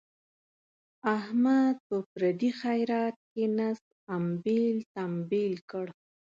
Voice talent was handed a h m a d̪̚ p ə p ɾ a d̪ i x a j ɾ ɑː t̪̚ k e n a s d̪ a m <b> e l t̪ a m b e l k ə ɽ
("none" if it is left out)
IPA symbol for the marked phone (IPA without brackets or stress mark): b